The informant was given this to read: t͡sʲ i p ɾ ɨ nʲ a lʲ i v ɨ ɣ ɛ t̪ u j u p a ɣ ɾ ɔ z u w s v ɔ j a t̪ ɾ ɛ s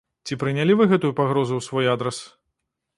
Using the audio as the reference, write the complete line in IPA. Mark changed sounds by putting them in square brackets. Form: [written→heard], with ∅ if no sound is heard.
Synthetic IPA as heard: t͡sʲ i p ɾ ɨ nʲ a lʲ i v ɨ ɣ ɛ t̪ u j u p a ɣ ɾ ɔ z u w s v ɔ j a [t̪→d̪] ɾ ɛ s